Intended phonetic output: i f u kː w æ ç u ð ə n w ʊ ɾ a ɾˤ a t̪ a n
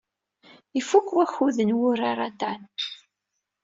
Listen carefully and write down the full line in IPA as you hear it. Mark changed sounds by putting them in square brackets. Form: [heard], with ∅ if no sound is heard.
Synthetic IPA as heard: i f u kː w æ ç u ð ə n w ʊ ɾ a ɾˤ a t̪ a n